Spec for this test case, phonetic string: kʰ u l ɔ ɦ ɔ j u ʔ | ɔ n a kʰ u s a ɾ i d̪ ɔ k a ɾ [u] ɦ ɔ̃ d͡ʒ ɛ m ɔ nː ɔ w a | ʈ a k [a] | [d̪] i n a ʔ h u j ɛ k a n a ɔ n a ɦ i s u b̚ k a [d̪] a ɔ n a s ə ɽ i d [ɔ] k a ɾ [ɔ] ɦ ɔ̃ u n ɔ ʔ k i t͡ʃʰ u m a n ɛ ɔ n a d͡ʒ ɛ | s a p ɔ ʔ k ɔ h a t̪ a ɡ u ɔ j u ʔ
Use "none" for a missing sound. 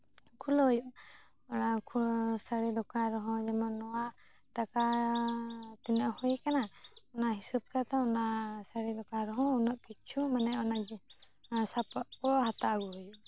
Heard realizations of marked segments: ɔ, a, t̪, t̪, ɔ, ɔ

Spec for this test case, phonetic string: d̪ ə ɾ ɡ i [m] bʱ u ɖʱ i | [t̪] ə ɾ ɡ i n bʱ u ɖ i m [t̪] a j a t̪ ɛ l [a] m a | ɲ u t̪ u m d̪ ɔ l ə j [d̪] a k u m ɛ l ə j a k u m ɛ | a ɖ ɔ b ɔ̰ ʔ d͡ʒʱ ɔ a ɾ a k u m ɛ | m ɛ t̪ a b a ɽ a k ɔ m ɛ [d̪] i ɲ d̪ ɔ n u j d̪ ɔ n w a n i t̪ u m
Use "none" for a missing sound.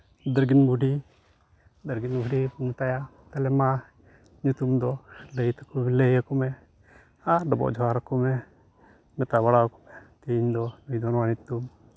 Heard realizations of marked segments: n, d̪, t̪, ɛ, t̪, t̪

